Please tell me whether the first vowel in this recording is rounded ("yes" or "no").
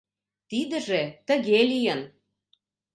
no